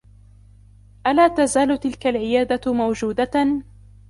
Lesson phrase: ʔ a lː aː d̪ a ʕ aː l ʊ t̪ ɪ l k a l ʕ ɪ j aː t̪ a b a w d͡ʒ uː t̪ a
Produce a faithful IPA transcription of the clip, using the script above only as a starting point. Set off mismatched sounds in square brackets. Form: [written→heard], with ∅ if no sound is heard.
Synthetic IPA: ʔ a [lː→l] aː [d̪→t̪] a [ʕ→z] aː l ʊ t̪ ɪ l k a l ʕ ɪ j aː [t̪→d̪] a [b→m] a w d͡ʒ uː [t̪→d̪] a